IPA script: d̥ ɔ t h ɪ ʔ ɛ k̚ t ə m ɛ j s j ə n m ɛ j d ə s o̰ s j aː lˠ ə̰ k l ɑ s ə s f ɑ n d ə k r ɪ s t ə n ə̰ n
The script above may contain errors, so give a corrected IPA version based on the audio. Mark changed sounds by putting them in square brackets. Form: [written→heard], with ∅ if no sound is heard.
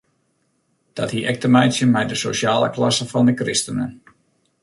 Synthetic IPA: d̥ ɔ t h [ɪ→i] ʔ ɛ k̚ t ə m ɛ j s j ə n m ɛ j d ə s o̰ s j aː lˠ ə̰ k l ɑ s ə [s→∅] f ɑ n d ə k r ɪ s t ə n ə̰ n